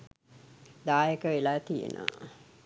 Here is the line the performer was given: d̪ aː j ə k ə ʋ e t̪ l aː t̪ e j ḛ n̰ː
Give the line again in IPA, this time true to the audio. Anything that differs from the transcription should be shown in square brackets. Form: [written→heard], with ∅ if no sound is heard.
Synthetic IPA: d̪ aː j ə k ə ʋ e [t̪→∅] l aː t̪ [e→i] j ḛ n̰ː